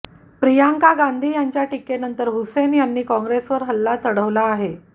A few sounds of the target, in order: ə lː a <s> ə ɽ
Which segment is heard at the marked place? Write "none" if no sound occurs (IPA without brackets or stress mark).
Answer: t͡s